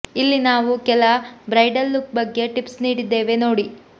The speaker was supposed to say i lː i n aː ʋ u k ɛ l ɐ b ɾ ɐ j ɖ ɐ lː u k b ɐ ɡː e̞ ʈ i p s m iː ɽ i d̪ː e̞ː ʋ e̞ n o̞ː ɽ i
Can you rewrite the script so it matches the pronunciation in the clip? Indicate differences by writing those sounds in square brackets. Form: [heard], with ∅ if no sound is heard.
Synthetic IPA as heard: i lː i n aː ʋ u k ɛ l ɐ b ɾ ɐ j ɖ ɐ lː u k b ɐ ɡː e̞ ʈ i p s [n] iː ɽ i d̪ː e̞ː ʋ e̞ n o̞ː ɽ i